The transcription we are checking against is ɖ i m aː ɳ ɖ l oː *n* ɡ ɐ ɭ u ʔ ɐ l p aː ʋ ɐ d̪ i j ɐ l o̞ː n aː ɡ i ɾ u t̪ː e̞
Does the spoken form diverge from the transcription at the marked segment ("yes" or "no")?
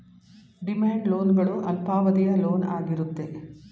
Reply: no